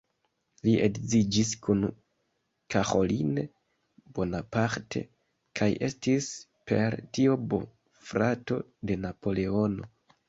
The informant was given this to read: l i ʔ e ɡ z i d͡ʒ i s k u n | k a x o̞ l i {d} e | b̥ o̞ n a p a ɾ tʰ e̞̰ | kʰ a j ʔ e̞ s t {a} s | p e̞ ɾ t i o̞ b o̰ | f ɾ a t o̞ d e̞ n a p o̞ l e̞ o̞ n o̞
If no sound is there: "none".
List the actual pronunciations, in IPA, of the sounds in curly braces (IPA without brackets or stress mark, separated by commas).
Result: n, i